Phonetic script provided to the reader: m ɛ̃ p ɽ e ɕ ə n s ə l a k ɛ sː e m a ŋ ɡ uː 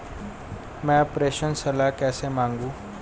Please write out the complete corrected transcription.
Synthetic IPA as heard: m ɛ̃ p ɾ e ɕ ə n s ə l a k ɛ s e m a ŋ ɡ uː